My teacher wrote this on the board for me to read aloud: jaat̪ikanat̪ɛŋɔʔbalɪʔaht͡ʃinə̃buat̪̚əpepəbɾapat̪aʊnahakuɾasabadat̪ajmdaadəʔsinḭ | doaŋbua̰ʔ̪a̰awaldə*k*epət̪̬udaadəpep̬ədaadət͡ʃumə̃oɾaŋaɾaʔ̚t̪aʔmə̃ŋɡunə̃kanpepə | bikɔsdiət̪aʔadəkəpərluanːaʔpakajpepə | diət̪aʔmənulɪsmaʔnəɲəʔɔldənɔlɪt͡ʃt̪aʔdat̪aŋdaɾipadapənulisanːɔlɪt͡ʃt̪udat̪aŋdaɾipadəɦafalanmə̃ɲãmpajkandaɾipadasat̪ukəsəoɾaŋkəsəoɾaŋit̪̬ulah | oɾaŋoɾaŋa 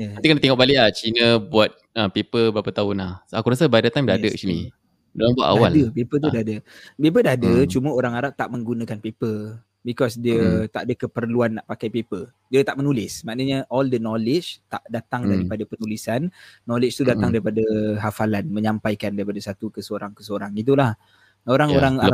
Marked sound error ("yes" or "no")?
yes